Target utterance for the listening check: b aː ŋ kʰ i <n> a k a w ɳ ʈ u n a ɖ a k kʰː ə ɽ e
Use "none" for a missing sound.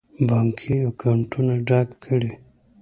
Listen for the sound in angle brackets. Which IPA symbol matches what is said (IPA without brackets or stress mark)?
none